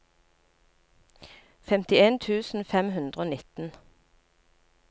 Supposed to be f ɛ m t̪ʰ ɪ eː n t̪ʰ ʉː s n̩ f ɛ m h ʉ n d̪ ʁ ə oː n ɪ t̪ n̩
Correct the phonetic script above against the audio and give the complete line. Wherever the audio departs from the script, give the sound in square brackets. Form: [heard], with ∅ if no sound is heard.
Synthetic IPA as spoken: f ɛ m [t̪] ɪ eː n t̪ʰ ʉː s n̩ f ɛ m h ʉ n d̪ ʁ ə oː n ɪ t̪ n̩